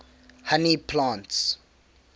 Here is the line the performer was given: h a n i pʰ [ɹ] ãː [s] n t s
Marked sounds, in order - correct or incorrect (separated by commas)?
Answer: incorrect, incorrect